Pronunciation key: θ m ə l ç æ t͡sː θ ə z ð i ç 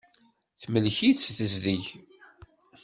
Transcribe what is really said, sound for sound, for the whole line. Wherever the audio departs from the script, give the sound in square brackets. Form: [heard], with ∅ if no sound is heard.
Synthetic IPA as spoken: θ m ə l ç [i] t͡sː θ ə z ð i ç